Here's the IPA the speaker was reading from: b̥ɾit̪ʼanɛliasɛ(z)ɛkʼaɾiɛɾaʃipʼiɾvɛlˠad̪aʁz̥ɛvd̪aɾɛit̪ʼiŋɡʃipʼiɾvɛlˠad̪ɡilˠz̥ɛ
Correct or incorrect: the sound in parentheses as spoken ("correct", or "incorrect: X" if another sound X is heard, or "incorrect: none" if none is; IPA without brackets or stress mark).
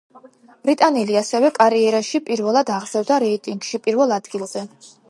incorrect: v